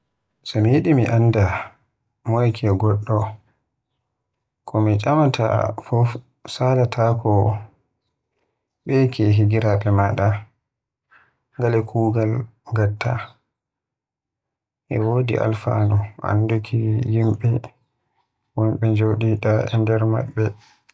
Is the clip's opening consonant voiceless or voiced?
voiceless